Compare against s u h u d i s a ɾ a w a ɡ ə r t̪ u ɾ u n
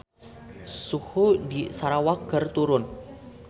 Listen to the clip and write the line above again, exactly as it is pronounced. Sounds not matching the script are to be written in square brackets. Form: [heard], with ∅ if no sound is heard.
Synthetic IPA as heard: s u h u d i s a ɾ a w a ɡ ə r t̪ u ɾ [ʊ] n